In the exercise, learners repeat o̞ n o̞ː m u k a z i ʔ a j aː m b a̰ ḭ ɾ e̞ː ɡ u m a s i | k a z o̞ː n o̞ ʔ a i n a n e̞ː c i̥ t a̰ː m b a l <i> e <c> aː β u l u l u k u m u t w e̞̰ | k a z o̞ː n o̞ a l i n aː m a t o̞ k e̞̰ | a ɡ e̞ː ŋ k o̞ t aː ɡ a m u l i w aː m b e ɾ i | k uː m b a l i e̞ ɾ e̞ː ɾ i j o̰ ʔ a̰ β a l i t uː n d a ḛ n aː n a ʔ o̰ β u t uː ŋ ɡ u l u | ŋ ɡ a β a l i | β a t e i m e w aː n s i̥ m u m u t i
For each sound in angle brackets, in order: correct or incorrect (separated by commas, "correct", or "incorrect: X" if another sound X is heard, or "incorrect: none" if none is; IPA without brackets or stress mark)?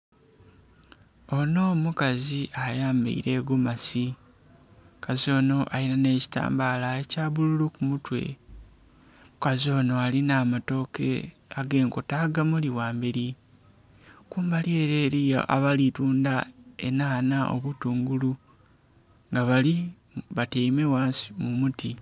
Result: incorrect: a, correct